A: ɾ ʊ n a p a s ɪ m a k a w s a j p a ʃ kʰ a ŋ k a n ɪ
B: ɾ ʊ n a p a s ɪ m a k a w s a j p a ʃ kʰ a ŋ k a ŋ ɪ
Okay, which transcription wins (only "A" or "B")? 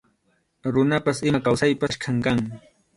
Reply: B